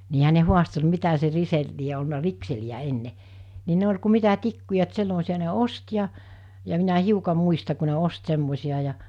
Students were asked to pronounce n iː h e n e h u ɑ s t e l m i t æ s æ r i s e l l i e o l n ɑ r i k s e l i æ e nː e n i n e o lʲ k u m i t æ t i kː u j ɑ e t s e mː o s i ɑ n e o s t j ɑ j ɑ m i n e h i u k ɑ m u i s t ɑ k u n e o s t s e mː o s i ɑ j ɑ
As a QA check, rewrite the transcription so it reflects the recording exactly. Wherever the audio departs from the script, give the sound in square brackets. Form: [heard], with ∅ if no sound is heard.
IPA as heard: n iː h [æ] n e h u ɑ s t e l m i t æ s [e] r i s e l l i e o l n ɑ r i k s e l i æ e nː e n i n e o lʲ k u m i t æ t i kː u j ɑ e t s e mː o s i ɑ n e o s t j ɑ j ɑ m i n [æ] h i u k ɑ m u i s t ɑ k u n e o s t s e mː o s i ɑ j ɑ